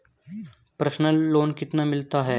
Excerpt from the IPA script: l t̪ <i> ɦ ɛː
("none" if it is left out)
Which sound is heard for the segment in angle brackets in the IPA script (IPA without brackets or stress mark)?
a